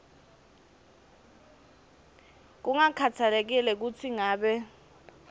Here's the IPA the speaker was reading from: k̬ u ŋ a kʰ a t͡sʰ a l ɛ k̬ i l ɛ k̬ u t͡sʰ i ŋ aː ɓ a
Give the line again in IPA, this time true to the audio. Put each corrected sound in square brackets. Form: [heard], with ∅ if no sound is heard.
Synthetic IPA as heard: k̬ u ŋ a kʰ a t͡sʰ a l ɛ k̬ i l ɛ k̬ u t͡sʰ i ŋ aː ɓ [ɛ]